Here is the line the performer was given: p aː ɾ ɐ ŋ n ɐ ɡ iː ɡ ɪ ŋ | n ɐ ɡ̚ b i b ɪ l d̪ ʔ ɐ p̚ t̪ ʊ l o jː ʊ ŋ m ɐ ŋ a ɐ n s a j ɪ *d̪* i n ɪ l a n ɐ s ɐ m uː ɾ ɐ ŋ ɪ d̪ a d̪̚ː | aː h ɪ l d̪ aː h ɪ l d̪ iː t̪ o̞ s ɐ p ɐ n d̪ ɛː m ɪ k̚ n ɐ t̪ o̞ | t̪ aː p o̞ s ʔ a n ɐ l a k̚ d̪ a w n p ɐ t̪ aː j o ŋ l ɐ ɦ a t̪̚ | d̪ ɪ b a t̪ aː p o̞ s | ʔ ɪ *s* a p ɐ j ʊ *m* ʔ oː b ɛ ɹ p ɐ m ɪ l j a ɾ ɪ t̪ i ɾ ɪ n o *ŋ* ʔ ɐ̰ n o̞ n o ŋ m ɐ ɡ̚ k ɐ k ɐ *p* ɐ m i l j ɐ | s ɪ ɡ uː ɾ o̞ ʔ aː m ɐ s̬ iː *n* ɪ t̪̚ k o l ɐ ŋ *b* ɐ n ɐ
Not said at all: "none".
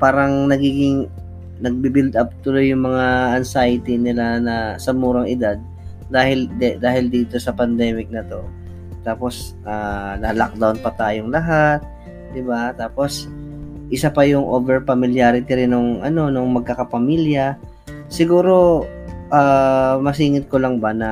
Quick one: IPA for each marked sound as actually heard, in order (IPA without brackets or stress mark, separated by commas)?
t̪, s, ŋ, ŋ, p, ŋ, b